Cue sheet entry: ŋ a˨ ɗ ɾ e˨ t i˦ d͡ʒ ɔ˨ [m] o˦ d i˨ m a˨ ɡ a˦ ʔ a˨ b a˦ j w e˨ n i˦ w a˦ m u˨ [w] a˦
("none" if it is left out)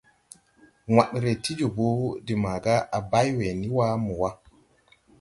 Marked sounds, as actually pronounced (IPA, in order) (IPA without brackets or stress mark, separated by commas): b, w